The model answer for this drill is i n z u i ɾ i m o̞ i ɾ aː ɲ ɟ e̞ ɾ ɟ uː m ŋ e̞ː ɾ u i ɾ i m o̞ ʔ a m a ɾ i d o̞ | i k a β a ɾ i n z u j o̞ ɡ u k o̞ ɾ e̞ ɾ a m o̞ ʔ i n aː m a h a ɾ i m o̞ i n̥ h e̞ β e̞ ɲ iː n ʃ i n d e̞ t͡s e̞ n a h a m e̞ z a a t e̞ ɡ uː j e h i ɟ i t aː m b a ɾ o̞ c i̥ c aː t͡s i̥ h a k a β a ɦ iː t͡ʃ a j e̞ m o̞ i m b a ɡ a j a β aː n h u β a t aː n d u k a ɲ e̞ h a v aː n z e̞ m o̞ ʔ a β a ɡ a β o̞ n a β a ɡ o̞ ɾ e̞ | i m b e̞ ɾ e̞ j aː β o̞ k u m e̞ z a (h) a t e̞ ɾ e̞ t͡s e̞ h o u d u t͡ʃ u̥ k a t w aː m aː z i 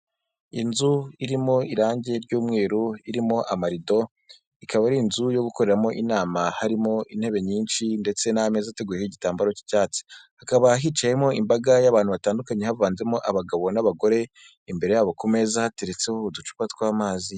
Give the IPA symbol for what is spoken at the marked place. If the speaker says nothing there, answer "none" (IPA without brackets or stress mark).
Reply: h